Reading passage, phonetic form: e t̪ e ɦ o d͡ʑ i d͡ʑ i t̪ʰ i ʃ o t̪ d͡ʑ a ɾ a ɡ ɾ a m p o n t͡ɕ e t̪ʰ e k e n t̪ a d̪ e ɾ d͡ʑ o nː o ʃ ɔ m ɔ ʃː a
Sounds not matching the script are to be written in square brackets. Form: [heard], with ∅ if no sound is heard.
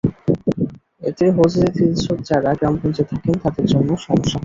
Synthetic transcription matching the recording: e t̪ e ɦ o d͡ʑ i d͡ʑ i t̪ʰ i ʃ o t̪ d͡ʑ a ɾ a ɡ ɾ a m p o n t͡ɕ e t̪ʰ [a] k e n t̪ a d̪ e ɾ d͡ʑ o nː o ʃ ɔ m [o] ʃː a